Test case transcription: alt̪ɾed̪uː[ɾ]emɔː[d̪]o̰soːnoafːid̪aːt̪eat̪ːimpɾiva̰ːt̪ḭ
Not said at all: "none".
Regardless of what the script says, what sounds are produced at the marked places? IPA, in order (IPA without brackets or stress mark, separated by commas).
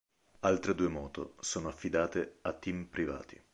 none, t̪